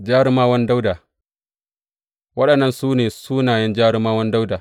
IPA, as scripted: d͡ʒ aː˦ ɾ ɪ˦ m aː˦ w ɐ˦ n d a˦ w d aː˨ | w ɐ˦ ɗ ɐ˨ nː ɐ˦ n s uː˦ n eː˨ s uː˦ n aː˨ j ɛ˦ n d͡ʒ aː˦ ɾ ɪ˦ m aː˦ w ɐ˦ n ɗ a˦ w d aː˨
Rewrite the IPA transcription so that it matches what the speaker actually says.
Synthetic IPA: d͡ʒ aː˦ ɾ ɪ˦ m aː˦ w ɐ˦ n d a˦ w d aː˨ | w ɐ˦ ɗ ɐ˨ nː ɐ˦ n s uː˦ n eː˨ s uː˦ n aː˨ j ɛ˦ n d͡ʒ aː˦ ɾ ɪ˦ m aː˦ w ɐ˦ n d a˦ w d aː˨